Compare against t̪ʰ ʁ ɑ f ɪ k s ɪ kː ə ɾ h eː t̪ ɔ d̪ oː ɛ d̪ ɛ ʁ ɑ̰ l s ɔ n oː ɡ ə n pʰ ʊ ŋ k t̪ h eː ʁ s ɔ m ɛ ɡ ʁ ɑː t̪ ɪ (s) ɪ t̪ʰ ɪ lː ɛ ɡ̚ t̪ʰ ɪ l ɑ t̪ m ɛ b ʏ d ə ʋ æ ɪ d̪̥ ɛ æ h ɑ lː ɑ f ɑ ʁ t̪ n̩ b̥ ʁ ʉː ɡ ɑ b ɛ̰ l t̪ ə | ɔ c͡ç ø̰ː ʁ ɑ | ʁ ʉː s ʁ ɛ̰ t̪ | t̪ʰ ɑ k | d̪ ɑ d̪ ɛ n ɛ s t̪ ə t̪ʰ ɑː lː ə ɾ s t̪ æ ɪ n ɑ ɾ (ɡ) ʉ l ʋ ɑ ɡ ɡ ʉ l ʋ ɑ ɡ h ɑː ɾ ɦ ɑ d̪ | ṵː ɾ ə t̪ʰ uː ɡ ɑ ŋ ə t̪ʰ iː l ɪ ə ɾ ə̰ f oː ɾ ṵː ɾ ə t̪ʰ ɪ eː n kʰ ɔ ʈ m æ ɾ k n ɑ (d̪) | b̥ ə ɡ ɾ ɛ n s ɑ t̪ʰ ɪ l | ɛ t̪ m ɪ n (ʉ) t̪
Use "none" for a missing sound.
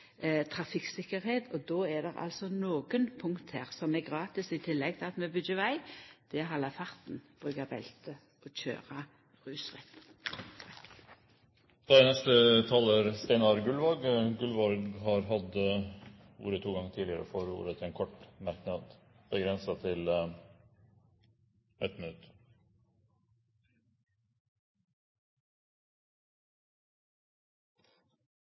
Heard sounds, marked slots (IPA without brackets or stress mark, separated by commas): s, ɡ, d̪, ʉ